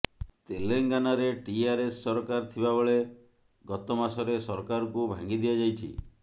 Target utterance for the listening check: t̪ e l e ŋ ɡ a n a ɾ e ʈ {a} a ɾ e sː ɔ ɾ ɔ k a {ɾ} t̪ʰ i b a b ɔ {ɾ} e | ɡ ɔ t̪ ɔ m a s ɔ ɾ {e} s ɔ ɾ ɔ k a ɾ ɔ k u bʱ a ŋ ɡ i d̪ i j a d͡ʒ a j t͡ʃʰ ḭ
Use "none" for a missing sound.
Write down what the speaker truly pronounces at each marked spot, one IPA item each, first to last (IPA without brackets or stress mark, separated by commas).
i, ɾ, ɭ, e